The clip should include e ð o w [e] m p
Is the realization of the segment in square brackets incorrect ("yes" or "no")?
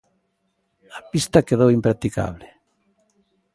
yes